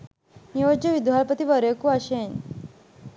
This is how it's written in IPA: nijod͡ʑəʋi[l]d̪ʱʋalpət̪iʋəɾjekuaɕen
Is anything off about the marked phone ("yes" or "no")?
yes